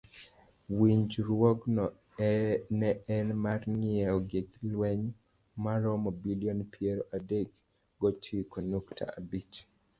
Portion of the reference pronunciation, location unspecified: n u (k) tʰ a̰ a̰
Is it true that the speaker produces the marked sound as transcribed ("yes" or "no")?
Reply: yes